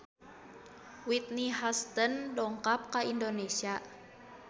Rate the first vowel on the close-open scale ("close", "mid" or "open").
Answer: close